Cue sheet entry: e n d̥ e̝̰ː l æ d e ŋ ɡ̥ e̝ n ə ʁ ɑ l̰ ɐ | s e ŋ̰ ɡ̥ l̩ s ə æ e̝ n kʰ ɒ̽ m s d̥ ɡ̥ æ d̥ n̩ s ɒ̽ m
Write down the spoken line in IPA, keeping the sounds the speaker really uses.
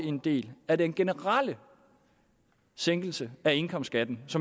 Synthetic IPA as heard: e n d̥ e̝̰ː l æ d e n ɡ̥ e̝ n ə ʁ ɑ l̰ ə | s e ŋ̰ ɡ̥ l̩ s ə æ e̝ n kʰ ɒ̽ m s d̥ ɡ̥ æ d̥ n̩ s ɒ̽ m

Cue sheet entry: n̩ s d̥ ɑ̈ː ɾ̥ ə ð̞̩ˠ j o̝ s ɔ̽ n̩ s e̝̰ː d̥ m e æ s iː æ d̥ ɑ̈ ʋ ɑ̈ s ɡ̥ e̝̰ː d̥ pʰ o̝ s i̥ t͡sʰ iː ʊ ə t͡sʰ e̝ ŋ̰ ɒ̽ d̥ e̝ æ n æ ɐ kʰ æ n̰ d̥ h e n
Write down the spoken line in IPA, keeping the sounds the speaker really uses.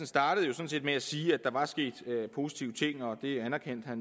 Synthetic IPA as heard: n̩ s d̥ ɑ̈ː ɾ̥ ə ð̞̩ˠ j o̝ s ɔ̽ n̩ s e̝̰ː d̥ m e æ s iː æ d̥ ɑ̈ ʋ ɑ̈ s ɡ̥ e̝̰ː d̥ pʰ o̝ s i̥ t͡sʰ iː ʊ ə t͡sʰ e̝ ŋ̰ ɒ̽ d̥ e̝ æ n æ ɐ kʰ e n̰ d̥ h æ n

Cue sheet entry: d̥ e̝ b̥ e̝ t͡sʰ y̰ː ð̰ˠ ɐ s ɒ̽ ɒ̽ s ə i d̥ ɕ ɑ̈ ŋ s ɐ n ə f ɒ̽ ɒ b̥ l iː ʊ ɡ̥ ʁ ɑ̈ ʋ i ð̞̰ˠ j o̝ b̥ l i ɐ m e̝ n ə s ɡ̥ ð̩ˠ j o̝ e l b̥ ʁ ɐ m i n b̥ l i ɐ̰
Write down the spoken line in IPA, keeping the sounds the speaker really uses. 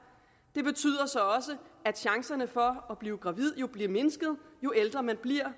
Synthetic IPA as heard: d̥ e̝ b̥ e̝ t͡sʰ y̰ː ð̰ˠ ɐ s ɒ̽ ɒ̽ s ə æ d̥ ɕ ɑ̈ ŋ s ɐ n ə f ɒ̽ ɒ b̥ l iː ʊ ɡ̥ ʁ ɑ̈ ʋ i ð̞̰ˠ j o̝ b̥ l i ɐ m e̝ n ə s ɡ̥ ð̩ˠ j o̝ e l d̥ ʁ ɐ m æ n b̥ l i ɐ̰

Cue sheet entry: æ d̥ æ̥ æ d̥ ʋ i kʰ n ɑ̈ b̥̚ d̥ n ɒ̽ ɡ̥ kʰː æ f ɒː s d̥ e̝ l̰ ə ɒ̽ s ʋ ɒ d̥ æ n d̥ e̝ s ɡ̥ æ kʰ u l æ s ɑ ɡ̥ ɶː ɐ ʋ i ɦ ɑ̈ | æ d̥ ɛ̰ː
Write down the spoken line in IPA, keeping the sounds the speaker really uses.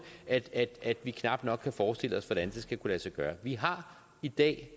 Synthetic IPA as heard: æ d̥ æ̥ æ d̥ ʋ i kʰ n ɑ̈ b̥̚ d̥ n ɒ̽ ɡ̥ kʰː æ f ɒː s d̥ e̝ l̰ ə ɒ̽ s ʋ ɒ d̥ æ n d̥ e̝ s ɡ̥ æ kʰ u l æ s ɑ ɡ̥ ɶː ɐ ʋ i ɦ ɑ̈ | i d̥ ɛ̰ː

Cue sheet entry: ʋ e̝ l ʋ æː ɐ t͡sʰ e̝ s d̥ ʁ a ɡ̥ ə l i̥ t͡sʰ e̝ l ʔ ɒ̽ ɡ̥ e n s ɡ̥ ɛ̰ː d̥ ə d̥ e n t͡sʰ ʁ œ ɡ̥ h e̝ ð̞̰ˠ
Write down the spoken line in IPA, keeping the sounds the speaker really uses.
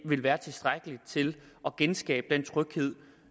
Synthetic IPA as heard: ʋ e̝ l ʋ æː ɐ t͡sʰ e̝ s d̥ ʁ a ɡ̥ ə l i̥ t͡sʰ e̝ l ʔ ɒ̽ ɡ̥ e n s ɡ̥ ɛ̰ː b̥ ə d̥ e n t͡sʰ ʁ œ ɡ̥ h e̝ ð̞̰ˠ

